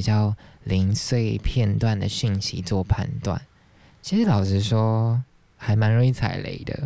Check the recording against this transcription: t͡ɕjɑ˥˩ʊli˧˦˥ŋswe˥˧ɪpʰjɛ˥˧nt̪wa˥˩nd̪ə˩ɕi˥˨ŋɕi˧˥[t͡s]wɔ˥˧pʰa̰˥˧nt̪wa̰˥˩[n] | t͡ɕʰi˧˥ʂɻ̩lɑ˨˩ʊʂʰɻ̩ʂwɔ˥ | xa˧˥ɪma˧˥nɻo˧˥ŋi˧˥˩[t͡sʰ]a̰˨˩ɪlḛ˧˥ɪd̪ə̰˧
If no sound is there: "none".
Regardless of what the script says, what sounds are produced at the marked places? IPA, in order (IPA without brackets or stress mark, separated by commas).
t͡s, n, t͡sʰ